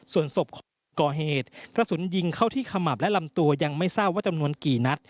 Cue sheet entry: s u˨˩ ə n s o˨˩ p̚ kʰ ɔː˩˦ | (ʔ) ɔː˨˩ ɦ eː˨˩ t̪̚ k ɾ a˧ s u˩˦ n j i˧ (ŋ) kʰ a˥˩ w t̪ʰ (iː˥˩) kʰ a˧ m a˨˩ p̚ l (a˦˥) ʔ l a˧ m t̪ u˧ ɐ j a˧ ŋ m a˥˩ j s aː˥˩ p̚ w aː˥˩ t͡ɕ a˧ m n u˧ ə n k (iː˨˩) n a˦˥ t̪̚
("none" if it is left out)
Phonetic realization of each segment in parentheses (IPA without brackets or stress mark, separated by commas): k, ŋ, iː˥˩, ɛ˦˥, iː˨˩